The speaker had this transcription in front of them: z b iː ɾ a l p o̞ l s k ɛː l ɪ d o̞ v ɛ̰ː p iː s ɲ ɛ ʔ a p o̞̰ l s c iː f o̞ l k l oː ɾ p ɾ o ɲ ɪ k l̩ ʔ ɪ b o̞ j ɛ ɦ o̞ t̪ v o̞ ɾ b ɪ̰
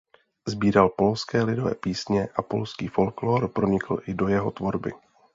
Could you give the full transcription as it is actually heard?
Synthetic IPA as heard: z b iː ɾ a l p o̞ l s k ɛː l ɪ d o̞ v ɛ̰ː p iː s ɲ ɛ ʔ a p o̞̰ l s k iː f o̞ l k l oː ɾ p ɾ o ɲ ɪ k l̩ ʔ ɪ d o̞ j ɛ ɦ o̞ t̪ v o̞ ɾ b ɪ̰